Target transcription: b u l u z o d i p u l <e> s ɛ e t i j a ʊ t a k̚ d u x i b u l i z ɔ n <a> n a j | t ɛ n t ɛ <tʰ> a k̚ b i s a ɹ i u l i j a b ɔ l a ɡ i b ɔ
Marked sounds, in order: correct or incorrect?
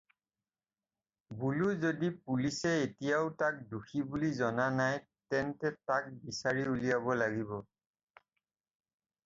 incorrect, correct, incorrect

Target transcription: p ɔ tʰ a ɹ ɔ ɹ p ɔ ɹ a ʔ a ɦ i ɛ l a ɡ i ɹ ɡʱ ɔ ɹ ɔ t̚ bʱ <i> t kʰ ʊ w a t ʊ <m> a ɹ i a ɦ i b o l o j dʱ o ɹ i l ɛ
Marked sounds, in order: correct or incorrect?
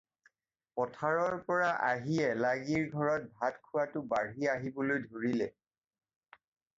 incorrect, incorrect

